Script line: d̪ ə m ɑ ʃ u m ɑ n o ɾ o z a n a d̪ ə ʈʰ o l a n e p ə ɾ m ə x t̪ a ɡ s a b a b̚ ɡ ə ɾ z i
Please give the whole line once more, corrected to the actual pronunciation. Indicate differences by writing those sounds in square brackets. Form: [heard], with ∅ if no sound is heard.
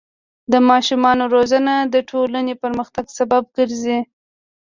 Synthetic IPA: d̪ ə m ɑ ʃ u m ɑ n o ɾ o z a n a d̪ ə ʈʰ o l a n e p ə ɾ m ə x t̪ a ɡ s a b a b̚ ɡ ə ɾ z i